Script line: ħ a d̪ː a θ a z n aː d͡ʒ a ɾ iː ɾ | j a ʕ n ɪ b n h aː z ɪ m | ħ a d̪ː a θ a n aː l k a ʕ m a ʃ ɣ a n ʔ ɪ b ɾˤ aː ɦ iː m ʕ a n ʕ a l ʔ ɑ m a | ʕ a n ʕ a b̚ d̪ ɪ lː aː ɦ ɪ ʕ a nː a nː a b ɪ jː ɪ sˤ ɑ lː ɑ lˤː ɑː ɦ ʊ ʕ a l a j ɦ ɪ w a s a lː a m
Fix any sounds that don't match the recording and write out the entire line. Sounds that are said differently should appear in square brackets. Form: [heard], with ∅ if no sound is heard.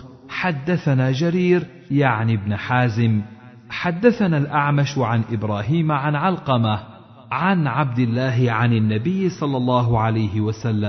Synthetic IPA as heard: ħ a d̪ː a θ a [∅] n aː d͡ʒ a ɾ iː ɾ | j a ʕ n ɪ b n [ħ] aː z ɪ m | ħ a d̪ː a θ a n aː l [ʔ] a ʕ m a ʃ [ʕ] a n ʔ ɪ b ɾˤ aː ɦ iː m ʕ a n ʕ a l [q] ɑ m a | ʕ a n ʕ a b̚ d̪ ɪ lː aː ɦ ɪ ʕ a [n] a nː a b ɪ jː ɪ sˤ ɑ lː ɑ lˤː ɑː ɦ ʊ ʕ a l a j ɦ ɪ w a s a lː a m